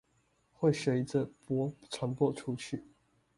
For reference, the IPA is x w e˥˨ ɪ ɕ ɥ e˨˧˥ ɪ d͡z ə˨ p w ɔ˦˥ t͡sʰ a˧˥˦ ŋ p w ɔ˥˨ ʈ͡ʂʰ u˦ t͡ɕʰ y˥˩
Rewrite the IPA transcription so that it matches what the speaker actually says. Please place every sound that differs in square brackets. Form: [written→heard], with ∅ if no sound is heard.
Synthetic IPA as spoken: x w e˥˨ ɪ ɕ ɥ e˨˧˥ ɪ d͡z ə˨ p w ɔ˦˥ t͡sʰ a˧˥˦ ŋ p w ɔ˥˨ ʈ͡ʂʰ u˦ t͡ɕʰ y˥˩